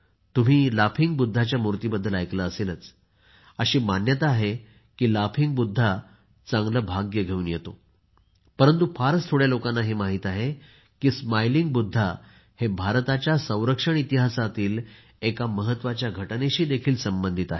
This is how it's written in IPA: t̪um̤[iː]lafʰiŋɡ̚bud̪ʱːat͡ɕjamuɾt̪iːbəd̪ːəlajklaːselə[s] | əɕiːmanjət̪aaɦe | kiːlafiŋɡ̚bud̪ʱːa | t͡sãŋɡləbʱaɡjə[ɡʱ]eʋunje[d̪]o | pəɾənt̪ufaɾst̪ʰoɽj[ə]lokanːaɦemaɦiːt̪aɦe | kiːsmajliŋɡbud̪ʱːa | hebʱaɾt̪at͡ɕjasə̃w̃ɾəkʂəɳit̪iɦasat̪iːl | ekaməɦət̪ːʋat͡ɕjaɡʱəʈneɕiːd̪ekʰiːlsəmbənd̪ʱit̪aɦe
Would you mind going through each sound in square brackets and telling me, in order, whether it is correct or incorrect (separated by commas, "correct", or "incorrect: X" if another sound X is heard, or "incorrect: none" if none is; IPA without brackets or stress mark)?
correct, incorrect: t͡s, correct, incorrect: t̪, incorrect: a